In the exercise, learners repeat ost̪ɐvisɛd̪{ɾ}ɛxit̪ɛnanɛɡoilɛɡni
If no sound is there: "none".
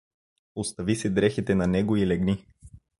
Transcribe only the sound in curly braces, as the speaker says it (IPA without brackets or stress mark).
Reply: ɾ